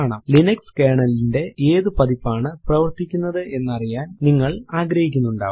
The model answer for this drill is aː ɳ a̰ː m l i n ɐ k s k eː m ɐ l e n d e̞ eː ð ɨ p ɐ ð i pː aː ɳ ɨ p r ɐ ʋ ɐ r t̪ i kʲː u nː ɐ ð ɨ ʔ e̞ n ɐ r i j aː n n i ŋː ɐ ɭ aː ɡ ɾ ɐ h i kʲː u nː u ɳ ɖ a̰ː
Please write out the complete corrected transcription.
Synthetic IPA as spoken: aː ɳ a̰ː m l i n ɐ k s k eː ɳ ɐ l i n d e̞ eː ð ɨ p ɐ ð i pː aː ɳ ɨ p r ɐ ʋ ɐ r t̪ i kʲː u nː ɐ ð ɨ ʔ e̞ nː ɐ r i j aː n n i ŋː ɐ ɭ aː ɡ ɾ ɐ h i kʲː u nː u ɳ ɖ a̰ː